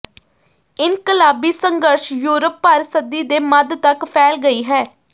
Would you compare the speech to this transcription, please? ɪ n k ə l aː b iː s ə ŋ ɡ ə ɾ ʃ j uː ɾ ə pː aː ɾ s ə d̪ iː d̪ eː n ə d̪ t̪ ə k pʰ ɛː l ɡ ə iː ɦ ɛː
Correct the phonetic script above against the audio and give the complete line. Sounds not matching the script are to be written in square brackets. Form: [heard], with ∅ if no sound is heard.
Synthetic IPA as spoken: ɪ n k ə l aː b iː s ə ŋ ɡ ə ɾ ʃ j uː ɾ ə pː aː ɾ s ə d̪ iː d̪ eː [m] ə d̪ t̪ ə k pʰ ɛː l ɡ ə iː ɦ ɛː